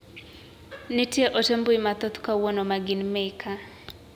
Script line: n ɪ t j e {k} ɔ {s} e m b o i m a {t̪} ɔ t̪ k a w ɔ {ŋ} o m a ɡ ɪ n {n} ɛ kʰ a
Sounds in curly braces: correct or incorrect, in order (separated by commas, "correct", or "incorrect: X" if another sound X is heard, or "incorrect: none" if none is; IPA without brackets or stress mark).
incorrect: ʔ, incorrect: t, correct, incorrect: n, incorrect: m